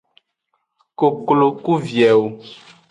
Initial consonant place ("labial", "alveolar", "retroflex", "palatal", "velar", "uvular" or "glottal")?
velar